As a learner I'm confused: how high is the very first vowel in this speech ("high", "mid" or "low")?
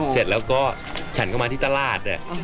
mid